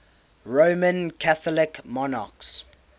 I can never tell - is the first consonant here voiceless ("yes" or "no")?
no